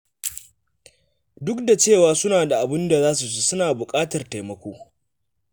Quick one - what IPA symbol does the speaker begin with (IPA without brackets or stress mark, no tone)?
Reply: d